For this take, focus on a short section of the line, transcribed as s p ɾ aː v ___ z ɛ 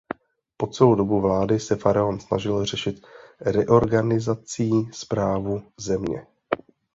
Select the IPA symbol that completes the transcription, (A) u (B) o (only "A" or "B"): A